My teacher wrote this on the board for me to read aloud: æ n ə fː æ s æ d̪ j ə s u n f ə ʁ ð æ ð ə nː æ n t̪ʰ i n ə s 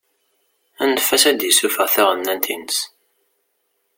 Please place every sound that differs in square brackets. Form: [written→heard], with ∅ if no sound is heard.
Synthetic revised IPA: æ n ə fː æ s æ d̪ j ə s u [n→∅] f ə ʁ [ð→θ] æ [ð→ʁ] ə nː æ n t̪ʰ i n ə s